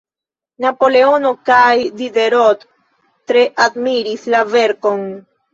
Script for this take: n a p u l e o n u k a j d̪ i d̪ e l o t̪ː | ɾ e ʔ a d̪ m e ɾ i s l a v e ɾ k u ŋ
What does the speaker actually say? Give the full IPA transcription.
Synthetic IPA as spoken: n a p o l e o n o k a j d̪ i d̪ e ɾ o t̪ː | ɾ e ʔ a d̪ m i ɾ i s l a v e ɾ k o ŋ